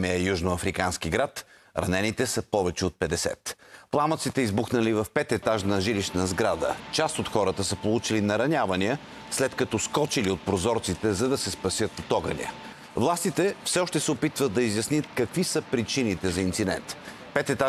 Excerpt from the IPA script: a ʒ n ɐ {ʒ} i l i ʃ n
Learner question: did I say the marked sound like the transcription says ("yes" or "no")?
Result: yes